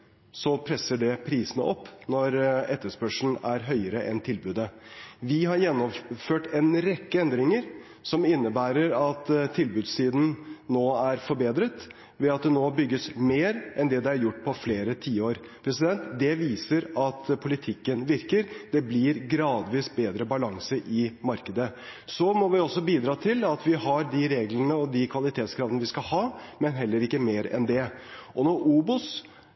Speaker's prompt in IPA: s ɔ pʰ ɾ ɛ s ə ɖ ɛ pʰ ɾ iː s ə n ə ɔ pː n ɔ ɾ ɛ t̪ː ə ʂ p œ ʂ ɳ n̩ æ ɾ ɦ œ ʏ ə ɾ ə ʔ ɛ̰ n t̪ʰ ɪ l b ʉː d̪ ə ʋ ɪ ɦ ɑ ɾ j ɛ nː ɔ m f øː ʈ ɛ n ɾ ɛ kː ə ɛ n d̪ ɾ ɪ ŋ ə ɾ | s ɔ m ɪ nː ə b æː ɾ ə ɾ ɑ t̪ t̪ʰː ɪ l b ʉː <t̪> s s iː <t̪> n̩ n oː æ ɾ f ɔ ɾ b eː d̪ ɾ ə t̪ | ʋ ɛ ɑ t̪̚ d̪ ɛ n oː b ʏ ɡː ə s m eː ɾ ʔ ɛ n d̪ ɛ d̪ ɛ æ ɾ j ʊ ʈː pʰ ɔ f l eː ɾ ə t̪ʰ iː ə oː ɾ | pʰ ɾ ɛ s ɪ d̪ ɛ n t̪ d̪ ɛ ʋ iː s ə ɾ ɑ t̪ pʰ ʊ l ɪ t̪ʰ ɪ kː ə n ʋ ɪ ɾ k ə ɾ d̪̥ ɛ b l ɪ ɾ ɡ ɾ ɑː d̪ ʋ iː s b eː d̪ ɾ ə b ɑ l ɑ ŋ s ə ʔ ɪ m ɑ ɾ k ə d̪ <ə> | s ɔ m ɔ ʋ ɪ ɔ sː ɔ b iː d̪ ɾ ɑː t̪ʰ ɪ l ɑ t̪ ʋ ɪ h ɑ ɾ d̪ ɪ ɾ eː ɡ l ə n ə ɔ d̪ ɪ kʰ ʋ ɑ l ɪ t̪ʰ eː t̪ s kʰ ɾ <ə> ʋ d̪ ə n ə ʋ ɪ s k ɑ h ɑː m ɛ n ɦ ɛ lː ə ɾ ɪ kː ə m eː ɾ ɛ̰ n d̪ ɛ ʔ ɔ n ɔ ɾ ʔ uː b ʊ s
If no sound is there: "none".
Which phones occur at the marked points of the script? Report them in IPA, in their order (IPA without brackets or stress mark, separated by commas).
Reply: d̪, d̪, ə, ɑ